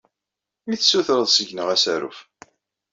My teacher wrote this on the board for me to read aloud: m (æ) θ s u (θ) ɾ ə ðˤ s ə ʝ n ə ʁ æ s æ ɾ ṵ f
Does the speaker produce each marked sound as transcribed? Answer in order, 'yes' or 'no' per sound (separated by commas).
no, yes